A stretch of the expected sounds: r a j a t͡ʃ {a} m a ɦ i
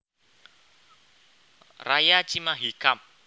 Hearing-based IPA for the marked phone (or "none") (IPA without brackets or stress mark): i